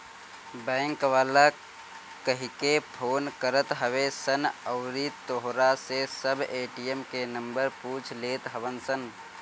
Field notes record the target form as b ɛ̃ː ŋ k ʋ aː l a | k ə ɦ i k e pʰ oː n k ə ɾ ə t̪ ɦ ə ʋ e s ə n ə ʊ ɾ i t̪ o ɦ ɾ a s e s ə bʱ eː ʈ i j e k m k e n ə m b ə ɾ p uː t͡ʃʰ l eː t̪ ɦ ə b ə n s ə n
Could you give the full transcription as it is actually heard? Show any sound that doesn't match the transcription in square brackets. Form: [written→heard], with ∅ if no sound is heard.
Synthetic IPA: b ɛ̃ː ŋ k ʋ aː l a | k ə ɦ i k e pʰ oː n k ə ɾ ə t̪ ɦ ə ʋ e s ə n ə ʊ ɾ i t̪ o ɦ ɾ a s e s ə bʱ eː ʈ i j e [k→∅] m k e n ə m b ə ɾ p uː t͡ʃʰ l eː t̪ ɦ ə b ə n s ə n